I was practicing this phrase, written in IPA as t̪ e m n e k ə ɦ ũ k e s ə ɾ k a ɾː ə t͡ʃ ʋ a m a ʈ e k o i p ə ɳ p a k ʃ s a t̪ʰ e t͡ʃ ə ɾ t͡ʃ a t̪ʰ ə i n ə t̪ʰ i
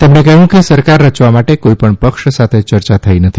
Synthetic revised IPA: t̪ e m n e k ə ɦ ũ k e s ə ɾ k a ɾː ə t͡ʃ ʋ a m a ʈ e k o i p ə ɳ p ə k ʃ s a t̪ʰ e t͡ʃ ə ɾ t͡ʃ a t̪ʰ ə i n ə t̪ʰ i